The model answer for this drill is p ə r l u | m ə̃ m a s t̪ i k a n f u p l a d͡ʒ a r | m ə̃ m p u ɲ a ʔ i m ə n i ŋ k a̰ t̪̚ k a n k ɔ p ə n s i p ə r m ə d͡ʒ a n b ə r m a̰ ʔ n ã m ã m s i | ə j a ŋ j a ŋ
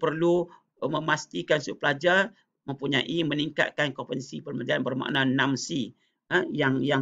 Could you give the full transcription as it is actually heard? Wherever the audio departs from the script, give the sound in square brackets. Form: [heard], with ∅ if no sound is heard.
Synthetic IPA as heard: p ə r l u | m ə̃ m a s t̪ i k a n [s] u p l a d͡ʒ a r | m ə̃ m p u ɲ a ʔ i m ə n i ŋ k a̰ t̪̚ k a n k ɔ p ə n s i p ə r m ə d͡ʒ a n b ə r m a̰ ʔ n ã [n] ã m s i | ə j a ŋ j a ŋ

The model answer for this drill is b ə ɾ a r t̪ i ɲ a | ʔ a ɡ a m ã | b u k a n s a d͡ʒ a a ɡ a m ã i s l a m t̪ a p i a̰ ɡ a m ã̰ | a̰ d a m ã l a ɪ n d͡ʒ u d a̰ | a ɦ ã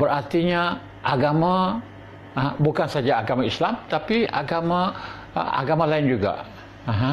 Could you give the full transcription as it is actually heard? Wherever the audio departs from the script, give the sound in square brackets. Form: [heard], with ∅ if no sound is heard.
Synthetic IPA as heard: b ə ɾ a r t̪ i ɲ a | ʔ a ɡ a m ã | b u k a n s a d͡ʒ a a ɡ a m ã i s l a m t̪ a p i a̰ ɡ a m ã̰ | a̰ [ɡ] a m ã l a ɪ n d͡ʒ u [ɡ] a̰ | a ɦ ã

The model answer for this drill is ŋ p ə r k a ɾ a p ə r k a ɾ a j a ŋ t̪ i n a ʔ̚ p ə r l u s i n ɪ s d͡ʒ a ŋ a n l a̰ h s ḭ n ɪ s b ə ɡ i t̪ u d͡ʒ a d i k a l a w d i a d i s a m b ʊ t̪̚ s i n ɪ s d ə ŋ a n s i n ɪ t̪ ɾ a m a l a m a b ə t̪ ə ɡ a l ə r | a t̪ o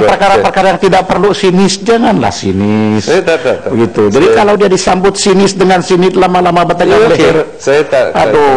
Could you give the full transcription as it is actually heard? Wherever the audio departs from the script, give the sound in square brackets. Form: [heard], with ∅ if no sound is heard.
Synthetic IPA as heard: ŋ p ə r k a ɾ a p ə r k a ɾ a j a ŋ t̪ i [d] a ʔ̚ p ə r l u s i n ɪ s d͡ʒ a ŋ a n l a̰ h s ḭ n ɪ s b ə ɡ i t̪ u d͡ʒ a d i k a l a w d i a d i s a m b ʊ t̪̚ s i n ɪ s d ə ŋ a n s i n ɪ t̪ [l] a m a l a m a b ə t̪ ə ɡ a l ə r | a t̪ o

